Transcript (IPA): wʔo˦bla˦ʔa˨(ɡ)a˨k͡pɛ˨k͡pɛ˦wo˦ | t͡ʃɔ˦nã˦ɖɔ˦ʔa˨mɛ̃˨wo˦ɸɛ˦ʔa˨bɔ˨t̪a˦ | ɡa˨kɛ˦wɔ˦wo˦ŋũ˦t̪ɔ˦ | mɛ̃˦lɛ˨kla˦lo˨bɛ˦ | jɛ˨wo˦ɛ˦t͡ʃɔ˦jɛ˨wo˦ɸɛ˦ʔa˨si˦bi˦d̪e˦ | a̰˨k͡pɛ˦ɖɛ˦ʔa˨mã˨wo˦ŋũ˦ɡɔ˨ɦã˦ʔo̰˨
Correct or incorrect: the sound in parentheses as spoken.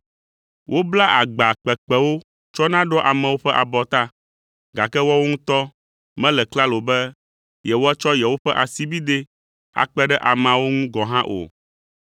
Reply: incorrect: ɡ͡b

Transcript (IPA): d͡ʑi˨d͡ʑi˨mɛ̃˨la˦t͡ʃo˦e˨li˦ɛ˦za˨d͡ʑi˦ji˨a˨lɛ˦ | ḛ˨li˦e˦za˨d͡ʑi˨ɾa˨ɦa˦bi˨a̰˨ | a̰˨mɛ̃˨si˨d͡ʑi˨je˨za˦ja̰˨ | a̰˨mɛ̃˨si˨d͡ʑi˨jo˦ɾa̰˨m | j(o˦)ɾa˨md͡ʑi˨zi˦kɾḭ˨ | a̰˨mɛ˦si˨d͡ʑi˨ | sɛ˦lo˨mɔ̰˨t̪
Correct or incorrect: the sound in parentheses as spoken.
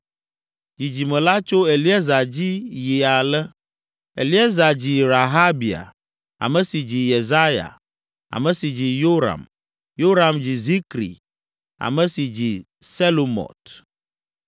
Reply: correct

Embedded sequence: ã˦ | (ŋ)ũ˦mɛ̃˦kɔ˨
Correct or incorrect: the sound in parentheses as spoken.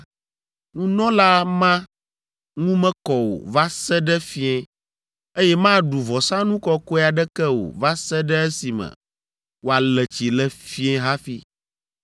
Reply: correct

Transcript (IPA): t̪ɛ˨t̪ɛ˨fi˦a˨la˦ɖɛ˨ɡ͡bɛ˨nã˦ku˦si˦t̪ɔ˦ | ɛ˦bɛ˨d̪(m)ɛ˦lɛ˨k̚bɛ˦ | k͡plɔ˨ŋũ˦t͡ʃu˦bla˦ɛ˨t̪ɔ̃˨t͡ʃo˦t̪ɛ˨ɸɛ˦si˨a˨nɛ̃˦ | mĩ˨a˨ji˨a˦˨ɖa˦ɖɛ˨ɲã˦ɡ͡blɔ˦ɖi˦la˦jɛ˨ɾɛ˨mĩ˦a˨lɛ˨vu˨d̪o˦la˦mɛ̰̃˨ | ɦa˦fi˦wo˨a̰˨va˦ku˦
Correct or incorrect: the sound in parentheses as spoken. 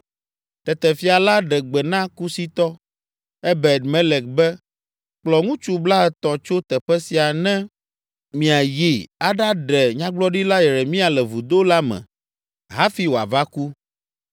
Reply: correct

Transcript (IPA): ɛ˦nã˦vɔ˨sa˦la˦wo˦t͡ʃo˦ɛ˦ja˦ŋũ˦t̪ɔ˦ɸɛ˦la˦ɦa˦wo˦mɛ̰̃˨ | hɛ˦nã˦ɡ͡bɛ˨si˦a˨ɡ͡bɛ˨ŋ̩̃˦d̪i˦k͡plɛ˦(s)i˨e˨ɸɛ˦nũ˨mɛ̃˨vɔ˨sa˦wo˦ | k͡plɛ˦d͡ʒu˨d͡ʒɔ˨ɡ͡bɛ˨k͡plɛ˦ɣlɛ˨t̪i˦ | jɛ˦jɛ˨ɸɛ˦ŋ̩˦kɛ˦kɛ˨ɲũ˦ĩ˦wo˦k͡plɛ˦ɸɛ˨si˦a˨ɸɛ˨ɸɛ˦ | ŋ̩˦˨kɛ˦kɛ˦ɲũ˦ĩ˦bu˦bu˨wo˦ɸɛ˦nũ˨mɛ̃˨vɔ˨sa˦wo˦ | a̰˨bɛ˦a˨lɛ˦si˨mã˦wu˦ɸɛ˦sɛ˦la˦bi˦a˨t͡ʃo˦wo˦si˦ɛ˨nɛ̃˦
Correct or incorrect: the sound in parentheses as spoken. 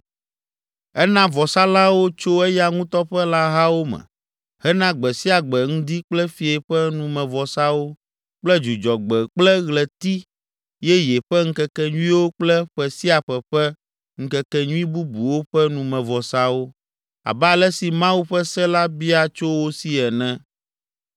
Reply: incorrect: f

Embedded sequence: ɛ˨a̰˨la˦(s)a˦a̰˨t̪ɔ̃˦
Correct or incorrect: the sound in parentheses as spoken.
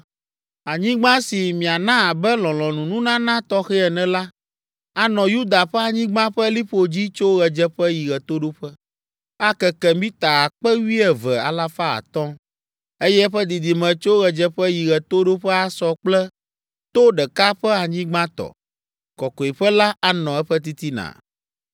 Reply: incorrect: f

